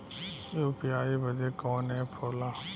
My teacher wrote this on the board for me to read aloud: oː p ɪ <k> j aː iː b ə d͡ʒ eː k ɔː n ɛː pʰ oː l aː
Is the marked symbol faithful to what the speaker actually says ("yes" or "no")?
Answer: no